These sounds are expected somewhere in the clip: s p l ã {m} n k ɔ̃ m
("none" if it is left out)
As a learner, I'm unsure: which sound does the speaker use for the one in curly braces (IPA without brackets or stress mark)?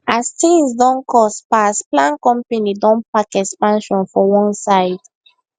none